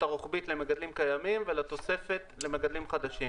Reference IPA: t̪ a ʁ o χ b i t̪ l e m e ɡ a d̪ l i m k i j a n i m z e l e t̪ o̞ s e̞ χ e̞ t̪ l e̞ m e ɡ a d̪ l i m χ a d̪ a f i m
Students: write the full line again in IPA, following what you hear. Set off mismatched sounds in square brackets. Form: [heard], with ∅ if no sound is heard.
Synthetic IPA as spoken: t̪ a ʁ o χ b i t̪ l e m e ɡ a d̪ l i m k [a] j a [m] i m [v] e l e t̪ o̞ s e̞ [f] e̞ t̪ l e̞ m e ɡ a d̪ l i m χ a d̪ a [ʃ] i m